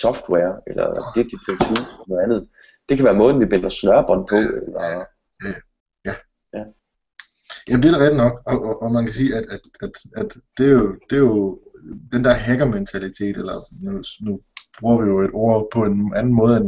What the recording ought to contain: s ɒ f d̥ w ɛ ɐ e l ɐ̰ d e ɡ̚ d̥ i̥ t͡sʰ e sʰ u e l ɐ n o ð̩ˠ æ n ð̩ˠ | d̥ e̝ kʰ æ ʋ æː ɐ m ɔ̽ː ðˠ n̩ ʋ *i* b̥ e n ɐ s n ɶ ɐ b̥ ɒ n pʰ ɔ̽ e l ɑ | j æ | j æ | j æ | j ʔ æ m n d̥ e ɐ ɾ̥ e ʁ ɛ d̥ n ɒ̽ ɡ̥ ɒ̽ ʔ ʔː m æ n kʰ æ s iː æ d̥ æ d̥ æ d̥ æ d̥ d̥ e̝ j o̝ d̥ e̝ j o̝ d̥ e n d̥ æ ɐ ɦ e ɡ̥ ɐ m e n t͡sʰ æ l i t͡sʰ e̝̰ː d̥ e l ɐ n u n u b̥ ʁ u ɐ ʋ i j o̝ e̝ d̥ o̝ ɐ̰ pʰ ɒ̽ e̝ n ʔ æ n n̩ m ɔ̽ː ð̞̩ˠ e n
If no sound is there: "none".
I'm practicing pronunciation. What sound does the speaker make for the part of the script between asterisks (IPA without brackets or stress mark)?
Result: i